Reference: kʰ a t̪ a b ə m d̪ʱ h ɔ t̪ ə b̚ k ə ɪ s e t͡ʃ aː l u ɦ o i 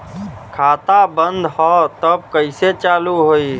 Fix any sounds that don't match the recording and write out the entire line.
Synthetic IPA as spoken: kʰ a t̪ a b ə n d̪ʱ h ɔ t̪ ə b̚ k ə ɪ s e t͡ʃ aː l u ɦ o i